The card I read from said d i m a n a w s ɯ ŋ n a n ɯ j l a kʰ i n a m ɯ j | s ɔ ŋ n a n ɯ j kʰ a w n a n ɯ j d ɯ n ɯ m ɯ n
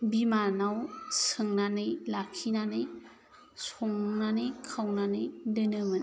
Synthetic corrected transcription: b i m a n a w s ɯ ŋ n a n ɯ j l a kʰ i n a n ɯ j | s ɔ ŋ n a n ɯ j kʰ a w n a n ɯ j d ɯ n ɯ m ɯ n